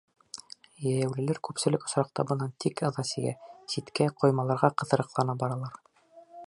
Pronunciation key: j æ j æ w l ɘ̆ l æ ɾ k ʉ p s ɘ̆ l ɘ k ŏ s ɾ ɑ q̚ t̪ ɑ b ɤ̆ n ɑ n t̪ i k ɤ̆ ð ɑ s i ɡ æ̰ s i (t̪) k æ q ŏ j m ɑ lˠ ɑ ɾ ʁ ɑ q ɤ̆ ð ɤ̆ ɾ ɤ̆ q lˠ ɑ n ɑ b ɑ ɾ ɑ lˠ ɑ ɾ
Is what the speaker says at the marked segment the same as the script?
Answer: yes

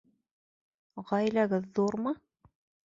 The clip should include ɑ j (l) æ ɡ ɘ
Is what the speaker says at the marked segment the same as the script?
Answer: yes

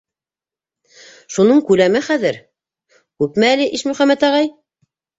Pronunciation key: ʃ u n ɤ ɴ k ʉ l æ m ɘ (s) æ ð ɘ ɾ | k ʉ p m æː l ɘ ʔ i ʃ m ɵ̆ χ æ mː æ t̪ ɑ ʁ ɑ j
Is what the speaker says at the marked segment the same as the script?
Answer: no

